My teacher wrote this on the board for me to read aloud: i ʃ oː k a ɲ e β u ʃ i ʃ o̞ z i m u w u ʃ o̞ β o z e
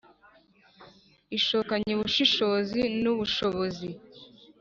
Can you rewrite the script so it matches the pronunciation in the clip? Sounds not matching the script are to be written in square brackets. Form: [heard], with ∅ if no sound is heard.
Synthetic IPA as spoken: i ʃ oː k a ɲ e β u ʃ i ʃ o̞ z i [n] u [β] u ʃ o̞ β o z [i]